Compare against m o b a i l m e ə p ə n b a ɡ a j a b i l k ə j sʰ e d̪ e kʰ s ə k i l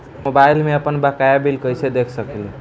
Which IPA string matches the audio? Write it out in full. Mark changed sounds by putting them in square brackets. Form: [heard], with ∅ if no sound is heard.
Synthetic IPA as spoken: m o b a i l m e ə p ə n b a [k] a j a b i l k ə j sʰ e d̪ e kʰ s ə k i l